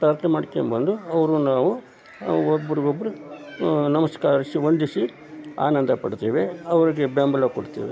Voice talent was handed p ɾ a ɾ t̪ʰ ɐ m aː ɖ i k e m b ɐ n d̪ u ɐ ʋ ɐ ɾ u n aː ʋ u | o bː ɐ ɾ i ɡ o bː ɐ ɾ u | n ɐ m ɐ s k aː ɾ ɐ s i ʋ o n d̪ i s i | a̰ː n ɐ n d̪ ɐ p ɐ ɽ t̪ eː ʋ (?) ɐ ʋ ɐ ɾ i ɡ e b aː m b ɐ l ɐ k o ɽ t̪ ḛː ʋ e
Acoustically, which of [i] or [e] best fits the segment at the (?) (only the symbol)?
e